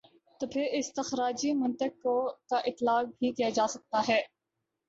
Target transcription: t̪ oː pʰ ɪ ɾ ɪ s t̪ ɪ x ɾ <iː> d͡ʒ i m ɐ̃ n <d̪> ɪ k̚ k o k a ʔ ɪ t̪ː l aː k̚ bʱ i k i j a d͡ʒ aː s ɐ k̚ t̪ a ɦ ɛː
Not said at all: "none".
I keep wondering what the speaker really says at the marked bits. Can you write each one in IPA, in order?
aː, t̪

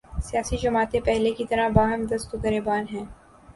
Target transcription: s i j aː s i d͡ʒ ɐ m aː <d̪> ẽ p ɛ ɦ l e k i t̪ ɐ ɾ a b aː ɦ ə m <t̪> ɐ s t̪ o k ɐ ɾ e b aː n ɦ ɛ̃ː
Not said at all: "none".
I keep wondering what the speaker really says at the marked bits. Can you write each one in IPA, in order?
t̪, d̪

